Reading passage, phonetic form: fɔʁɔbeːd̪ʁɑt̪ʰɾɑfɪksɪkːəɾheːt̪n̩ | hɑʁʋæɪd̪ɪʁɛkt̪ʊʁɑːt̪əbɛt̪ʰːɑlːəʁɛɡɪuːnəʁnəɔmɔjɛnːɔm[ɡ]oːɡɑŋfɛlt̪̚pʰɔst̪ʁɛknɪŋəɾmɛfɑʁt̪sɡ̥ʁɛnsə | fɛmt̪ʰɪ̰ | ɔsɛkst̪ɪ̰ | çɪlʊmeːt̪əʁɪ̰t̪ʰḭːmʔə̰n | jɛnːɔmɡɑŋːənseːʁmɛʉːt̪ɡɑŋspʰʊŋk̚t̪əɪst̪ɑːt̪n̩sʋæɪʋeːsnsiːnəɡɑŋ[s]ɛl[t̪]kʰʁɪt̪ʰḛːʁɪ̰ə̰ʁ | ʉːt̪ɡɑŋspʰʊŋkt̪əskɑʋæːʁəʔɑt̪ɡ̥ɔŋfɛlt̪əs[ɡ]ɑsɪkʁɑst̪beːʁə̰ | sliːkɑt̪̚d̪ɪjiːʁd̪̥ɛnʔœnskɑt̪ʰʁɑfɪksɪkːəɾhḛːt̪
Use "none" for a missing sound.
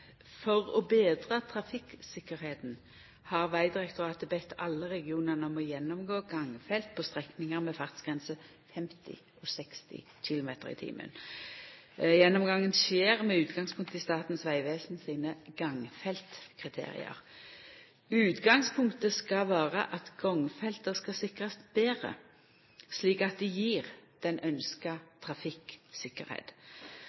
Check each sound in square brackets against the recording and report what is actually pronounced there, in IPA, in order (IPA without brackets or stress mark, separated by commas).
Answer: ɡ, f, t̪, k